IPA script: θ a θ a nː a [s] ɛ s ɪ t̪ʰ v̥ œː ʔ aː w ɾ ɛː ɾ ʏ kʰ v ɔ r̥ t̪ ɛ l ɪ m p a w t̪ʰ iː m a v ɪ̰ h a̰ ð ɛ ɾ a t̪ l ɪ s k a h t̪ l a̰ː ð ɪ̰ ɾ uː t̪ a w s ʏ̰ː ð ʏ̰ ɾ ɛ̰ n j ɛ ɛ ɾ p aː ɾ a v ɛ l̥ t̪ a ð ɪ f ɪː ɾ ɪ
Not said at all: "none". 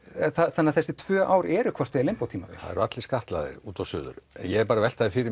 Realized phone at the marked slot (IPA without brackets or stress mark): θ